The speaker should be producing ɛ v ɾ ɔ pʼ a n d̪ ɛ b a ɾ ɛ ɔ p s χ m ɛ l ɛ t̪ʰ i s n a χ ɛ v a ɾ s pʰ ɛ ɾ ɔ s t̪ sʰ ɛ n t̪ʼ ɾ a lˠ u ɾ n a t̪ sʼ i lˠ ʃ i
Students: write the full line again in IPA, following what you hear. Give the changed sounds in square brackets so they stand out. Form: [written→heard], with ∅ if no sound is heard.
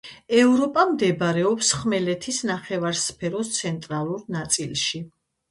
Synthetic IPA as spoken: ɛ v ɾ ɔ pʼ a [n→m] d̪ ɛ b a ɾ ɛ ɔ p s χ m ɛ l ɛ t̪ʰ i s n a χ ɛ v a ɾ s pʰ ɛ ɾ ɔ s t̪ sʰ ɛ n t̪ʼ ɾ a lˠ u ɾ n a t̪ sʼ i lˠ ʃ i